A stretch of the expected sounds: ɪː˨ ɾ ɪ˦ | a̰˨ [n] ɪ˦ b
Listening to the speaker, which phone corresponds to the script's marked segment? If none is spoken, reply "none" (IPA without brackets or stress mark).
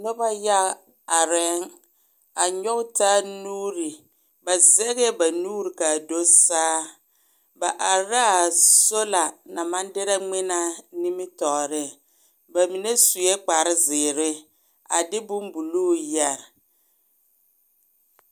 d